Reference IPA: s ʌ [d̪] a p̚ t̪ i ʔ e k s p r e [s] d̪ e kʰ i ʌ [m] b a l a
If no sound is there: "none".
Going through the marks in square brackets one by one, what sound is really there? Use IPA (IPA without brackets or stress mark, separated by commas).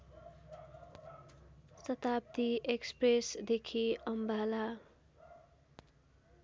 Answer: t̪, s, m